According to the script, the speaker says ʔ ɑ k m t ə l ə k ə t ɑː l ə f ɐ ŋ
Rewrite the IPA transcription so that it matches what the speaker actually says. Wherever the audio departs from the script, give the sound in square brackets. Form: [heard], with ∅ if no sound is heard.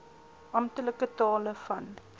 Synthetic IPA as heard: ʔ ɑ [∅] m t ə l ə k ə t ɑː l ə f ɐ [n]